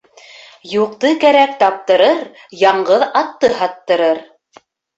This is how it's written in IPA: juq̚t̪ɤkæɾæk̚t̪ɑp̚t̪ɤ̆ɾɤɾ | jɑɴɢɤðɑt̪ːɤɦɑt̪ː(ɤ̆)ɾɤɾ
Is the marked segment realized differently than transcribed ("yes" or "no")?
no